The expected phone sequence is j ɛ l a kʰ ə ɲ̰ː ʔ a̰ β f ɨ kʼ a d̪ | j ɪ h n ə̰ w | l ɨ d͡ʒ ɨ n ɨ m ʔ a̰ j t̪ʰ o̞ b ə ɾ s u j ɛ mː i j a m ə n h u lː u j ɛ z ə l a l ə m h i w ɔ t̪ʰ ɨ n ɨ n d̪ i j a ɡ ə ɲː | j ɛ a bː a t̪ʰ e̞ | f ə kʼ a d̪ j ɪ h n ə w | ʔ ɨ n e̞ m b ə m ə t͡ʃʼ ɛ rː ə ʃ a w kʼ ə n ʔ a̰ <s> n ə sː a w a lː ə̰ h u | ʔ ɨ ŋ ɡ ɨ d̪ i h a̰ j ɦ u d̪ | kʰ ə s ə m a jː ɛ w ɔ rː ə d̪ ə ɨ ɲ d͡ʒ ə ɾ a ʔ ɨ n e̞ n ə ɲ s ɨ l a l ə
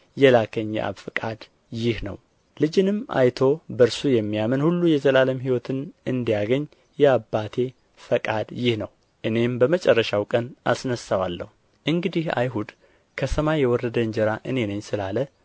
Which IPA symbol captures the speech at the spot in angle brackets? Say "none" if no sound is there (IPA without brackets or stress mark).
s